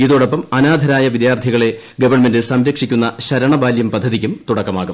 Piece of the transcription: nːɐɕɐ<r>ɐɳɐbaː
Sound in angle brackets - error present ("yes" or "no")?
yes